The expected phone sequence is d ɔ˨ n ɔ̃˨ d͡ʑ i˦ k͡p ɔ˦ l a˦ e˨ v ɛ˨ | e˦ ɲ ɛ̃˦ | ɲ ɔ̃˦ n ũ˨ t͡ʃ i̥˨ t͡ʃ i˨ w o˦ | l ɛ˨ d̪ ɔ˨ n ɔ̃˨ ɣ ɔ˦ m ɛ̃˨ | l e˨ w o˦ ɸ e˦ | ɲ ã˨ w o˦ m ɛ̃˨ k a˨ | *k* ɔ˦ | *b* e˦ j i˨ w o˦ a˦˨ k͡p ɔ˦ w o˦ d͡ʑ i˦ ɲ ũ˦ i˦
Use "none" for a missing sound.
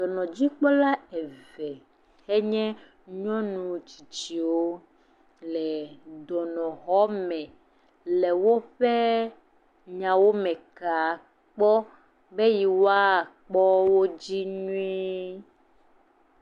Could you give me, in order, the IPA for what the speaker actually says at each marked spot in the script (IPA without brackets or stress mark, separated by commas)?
k͡p, b